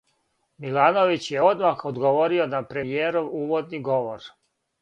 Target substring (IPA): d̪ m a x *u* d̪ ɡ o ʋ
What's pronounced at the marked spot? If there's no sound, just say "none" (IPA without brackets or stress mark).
o